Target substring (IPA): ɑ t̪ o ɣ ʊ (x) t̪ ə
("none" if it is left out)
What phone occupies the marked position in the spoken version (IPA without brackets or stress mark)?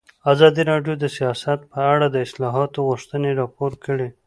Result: ʂ